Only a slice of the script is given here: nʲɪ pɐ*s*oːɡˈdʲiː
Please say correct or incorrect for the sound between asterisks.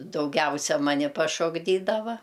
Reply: incorrect